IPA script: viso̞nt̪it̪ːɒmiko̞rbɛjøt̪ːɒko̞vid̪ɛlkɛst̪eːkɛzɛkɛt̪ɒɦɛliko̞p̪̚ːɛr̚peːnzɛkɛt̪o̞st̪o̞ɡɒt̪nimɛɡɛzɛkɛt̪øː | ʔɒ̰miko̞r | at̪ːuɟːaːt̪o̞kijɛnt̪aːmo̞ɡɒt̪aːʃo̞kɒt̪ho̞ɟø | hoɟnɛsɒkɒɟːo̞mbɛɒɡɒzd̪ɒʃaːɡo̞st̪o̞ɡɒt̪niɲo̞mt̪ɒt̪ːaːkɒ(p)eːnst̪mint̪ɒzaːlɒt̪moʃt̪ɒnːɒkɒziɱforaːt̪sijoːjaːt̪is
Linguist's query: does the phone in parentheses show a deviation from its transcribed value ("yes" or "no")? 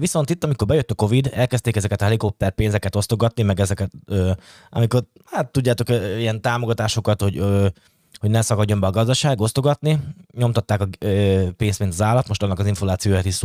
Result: no